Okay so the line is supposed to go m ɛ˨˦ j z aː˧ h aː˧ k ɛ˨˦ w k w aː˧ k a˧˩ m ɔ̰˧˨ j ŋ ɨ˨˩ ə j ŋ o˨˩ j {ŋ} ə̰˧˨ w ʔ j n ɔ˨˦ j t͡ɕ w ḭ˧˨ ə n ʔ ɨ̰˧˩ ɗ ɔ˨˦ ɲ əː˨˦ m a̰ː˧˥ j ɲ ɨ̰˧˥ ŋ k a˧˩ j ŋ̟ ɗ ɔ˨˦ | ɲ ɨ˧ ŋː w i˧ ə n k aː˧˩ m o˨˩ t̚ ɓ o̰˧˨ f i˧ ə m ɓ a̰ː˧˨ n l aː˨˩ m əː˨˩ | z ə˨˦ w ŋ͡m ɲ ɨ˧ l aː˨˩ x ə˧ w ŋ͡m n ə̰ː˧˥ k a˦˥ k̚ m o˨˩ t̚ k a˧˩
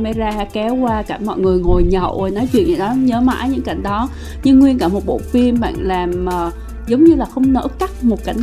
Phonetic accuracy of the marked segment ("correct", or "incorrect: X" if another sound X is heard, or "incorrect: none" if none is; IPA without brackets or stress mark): incorrect: ɲ